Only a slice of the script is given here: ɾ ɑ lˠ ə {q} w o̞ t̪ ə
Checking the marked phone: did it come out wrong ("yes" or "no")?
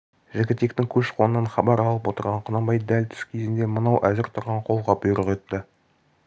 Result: yes